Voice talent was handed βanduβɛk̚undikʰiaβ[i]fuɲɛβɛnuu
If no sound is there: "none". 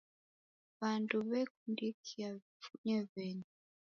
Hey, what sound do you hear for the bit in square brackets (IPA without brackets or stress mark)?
i